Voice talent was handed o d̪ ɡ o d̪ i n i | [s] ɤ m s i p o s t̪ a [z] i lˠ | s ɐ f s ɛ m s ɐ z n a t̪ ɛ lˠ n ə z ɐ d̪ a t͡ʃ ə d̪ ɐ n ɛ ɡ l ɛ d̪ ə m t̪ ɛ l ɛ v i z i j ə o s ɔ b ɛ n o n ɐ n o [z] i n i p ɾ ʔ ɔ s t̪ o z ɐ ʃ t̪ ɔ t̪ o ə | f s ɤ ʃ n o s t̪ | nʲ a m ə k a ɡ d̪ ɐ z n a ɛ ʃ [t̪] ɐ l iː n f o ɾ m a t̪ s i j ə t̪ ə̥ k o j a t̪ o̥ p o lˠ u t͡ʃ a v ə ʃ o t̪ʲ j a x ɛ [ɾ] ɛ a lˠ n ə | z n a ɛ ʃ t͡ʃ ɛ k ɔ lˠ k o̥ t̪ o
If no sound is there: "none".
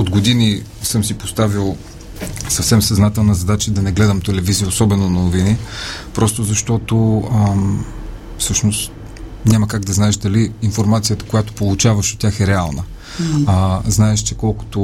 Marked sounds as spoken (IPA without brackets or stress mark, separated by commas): s, v, v, d̪, ɾ